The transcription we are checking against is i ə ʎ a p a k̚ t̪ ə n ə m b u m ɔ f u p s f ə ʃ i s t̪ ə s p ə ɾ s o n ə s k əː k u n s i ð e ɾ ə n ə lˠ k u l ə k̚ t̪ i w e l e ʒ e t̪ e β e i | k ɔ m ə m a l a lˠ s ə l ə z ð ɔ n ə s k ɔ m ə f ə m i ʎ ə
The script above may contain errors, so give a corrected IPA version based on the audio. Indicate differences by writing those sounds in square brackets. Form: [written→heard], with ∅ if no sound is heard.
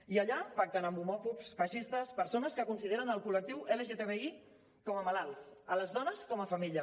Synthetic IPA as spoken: i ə ʎ a p a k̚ t̪ ə n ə m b u m ɔ f u p s f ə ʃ i s t̪ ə s p ə ɾ s o n ə s k [əː→ə] k u n s i ð e ɾ ə n ə lˠ k u l ə k̚ t̪ i w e l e ʒ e t̪ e β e i | k ɔ m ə m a l a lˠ s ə l ə z ð ɔ n ə s k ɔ m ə f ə m i ʎ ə

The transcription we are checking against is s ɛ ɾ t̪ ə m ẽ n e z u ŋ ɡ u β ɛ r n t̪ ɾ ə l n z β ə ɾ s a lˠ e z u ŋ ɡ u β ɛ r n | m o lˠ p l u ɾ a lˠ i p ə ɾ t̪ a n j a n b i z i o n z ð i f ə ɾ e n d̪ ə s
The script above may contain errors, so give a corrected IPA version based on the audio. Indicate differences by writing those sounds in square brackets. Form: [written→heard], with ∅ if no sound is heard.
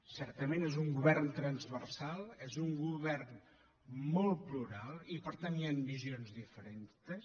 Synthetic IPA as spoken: s ɛ ɾ t̪ ə m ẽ n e z u ŋ ɡ u β ɛ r n t̪ ɾ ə [l→∅] n z β ə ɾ s a lˠ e z u ŋ ɡ u β ɛ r n | m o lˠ p l u ɾ a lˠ i p ə ɾ t̪ a n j a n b i z i o n z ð i f ə ɾ e n [d̪→t̪] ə s

